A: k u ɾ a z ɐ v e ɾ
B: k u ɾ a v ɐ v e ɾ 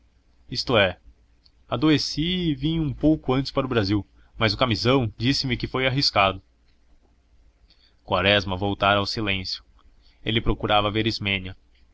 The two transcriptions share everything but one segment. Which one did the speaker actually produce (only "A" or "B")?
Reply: B